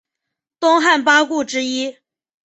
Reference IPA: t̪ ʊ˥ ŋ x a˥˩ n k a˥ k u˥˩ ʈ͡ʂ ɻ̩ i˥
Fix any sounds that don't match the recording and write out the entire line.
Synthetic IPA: t̪ ʊ˥ ŋ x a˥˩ n p a˥ k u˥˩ ʈ͡ʂ ɻ̩ i˥